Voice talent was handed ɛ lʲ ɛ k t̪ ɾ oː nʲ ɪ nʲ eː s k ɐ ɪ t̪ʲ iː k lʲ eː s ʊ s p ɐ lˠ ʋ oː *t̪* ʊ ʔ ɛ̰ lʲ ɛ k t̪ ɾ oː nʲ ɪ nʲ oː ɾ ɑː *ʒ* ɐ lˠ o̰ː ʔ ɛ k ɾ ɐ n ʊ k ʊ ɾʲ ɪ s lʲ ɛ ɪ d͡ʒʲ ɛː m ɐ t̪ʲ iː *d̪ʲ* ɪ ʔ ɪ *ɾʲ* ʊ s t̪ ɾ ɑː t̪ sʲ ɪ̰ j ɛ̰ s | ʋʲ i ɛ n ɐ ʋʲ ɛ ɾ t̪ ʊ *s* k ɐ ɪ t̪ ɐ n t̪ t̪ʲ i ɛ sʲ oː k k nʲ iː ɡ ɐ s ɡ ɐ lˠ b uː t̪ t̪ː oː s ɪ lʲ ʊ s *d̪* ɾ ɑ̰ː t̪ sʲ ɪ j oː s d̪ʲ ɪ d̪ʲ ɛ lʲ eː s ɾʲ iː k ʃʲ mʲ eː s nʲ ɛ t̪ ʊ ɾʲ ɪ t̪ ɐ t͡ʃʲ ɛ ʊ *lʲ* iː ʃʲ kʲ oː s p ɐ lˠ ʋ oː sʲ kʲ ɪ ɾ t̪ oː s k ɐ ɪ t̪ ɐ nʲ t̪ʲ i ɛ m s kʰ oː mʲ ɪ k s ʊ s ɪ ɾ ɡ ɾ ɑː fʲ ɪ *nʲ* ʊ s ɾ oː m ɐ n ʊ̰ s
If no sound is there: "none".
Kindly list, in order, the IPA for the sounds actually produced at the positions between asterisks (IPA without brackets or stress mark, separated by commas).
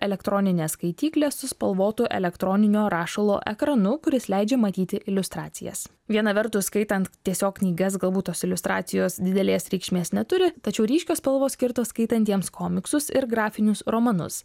t̪, ʃ, t̪ʲ, lʲ, s, t̪, ɾʲ, nʲ